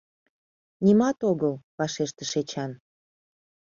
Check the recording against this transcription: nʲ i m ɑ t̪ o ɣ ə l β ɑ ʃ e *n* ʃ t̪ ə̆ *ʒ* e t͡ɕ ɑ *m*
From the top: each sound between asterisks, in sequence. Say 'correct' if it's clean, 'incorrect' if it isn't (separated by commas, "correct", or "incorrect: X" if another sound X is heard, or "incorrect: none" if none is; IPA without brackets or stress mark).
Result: incorrect: none, incorrect: ʃ, incorrect: n